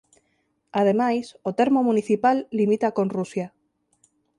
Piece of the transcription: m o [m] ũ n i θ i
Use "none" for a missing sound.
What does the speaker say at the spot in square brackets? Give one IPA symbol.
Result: m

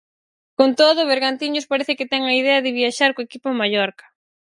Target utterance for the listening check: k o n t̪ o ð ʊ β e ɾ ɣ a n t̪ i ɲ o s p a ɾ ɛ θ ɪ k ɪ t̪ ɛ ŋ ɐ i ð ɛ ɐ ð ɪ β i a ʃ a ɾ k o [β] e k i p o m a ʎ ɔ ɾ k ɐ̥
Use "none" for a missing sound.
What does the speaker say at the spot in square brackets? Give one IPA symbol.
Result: none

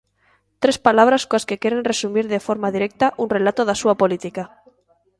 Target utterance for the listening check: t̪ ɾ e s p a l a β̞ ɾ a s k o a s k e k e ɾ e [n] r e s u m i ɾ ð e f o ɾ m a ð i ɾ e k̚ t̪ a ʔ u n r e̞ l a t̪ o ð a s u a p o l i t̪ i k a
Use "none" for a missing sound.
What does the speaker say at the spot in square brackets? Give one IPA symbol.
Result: n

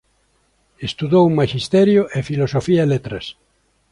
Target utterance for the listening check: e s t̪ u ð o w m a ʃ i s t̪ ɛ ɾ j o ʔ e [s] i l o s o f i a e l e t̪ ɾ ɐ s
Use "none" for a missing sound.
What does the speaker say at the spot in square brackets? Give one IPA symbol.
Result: f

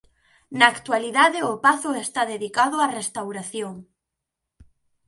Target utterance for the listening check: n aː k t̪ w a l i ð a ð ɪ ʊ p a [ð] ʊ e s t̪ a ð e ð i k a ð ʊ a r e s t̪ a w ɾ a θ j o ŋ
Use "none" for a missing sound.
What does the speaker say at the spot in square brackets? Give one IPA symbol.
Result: θ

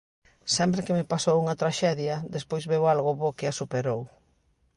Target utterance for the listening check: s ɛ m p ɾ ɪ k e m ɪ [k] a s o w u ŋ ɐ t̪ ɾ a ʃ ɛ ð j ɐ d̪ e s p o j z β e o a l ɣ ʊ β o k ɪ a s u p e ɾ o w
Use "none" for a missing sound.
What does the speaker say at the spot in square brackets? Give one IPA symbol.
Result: p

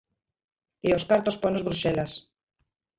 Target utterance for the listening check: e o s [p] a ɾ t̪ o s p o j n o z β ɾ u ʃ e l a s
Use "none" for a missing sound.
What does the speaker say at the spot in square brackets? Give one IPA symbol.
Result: k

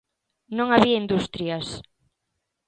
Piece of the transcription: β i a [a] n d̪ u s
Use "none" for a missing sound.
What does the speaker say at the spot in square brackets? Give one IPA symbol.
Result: i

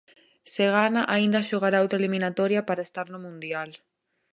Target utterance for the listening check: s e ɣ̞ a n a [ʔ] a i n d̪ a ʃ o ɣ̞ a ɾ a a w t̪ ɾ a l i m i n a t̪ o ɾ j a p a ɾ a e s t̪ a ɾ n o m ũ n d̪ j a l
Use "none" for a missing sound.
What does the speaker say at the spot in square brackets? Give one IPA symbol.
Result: ʔ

